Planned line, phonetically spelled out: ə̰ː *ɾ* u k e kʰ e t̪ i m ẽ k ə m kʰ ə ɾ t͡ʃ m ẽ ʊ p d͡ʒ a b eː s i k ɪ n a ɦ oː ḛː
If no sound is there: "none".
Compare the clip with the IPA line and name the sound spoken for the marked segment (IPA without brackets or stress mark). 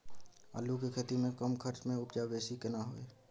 l